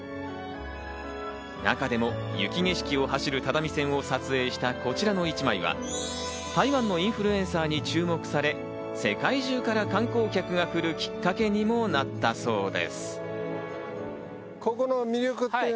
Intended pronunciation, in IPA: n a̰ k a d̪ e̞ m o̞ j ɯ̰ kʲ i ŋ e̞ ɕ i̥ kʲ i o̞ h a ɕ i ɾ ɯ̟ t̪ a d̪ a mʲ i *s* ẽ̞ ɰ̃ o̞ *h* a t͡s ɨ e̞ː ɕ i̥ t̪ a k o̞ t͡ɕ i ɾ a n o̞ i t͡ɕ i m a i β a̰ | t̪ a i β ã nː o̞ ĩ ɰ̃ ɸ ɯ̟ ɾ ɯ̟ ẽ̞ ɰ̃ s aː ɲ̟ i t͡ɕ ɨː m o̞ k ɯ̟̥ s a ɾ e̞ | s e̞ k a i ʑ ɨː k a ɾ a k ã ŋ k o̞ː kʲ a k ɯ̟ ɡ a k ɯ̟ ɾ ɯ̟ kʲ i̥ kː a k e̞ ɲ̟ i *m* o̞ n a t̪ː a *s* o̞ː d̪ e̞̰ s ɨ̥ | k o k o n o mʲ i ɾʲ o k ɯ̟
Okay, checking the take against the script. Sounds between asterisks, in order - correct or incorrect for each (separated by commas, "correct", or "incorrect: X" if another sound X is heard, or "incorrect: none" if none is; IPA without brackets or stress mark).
correct, incorrect: s, correct, correct